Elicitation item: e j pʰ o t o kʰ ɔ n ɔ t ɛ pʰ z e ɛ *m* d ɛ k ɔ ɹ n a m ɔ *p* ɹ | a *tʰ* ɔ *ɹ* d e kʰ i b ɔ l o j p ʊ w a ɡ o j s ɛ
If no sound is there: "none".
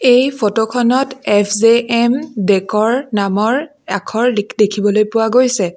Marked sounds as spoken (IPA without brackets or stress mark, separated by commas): m, none, kʰ, ɹ